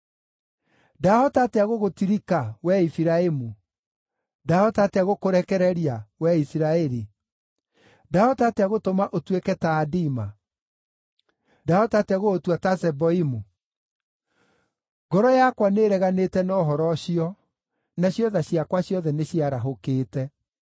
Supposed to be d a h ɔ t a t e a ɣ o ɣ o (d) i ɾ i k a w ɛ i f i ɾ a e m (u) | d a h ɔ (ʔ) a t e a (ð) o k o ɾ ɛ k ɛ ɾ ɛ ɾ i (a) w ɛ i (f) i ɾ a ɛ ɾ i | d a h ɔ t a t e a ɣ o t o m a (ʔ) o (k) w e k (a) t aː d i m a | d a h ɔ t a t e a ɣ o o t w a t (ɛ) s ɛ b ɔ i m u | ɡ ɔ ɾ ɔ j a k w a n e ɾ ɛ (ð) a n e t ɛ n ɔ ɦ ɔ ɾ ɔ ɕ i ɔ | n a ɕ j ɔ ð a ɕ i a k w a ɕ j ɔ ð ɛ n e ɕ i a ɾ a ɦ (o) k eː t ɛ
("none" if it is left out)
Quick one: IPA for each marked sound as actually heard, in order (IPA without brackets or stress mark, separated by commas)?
t, u, t, ɣ, a, s, ʔ, t, ɛ, a, ɣ, o